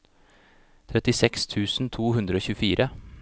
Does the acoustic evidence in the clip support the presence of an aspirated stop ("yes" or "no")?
yes